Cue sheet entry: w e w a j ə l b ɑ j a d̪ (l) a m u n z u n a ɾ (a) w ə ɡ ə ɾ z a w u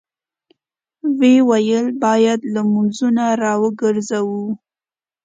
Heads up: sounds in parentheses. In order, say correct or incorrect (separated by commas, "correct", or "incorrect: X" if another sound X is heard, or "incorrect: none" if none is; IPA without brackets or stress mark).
correct, incorrect: ɑ